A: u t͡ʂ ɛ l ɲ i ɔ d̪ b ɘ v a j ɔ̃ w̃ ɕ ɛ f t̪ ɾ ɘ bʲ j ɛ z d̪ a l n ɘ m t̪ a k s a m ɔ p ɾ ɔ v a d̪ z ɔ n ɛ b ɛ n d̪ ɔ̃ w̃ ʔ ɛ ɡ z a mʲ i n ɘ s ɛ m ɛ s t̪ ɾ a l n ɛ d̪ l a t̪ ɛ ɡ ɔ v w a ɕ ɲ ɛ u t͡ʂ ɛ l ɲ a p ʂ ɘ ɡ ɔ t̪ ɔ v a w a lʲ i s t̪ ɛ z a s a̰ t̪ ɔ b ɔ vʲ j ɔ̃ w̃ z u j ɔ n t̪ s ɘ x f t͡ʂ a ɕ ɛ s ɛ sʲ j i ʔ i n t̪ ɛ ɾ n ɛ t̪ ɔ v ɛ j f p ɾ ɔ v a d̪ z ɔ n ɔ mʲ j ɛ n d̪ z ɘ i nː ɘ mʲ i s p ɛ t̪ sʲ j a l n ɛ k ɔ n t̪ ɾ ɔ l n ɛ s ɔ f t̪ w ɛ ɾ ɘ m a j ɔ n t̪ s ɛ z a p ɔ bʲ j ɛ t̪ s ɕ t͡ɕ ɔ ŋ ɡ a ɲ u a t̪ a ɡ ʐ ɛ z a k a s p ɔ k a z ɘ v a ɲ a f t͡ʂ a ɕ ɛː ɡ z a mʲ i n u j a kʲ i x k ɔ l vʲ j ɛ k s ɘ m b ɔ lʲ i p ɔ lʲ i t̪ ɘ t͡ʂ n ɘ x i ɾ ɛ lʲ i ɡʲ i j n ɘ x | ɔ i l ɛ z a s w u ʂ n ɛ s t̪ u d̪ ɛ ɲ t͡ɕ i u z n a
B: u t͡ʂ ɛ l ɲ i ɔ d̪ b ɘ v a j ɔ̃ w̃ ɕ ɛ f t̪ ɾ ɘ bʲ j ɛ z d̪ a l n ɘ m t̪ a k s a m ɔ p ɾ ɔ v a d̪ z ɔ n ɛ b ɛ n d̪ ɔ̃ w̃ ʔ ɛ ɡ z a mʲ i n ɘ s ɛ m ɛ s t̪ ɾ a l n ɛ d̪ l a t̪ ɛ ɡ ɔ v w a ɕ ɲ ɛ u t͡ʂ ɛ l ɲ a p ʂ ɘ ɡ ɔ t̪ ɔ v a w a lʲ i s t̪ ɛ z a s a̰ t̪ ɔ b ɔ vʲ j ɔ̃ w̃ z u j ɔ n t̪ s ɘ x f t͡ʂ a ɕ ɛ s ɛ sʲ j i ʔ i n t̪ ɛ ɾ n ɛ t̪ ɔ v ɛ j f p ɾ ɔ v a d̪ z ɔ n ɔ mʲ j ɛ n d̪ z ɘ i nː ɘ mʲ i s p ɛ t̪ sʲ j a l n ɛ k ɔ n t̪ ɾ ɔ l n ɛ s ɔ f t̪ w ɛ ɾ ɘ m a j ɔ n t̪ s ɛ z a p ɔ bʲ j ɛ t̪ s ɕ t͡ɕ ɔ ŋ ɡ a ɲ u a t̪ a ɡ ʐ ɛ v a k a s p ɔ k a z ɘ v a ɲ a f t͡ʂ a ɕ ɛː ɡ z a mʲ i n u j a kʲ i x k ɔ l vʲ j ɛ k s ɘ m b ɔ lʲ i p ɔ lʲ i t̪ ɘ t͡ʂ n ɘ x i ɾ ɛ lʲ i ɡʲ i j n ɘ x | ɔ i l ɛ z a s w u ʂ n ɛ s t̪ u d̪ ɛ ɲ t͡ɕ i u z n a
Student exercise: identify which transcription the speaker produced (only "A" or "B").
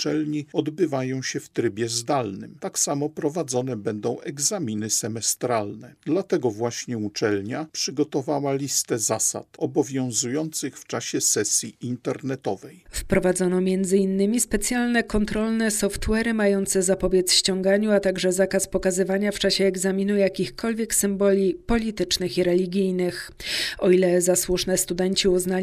A